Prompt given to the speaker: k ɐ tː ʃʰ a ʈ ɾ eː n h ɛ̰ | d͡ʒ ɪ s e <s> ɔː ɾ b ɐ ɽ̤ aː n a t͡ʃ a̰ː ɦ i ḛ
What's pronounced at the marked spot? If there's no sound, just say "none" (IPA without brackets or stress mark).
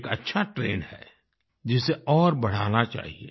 none